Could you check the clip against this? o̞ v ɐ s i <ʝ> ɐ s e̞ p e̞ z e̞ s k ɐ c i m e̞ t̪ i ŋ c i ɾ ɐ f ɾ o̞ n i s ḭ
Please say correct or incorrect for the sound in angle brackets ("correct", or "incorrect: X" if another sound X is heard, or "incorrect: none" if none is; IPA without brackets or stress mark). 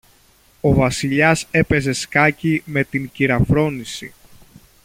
incorrect: ʎ